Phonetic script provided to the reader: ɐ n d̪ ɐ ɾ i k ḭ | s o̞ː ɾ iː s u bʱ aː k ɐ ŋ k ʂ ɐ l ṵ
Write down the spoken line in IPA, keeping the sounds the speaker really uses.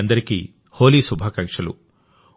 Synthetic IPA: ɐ n d̪ ɐ ɾ i k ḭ | h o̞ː l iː s u bʱ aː k ɐ ŋ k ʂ ɐ l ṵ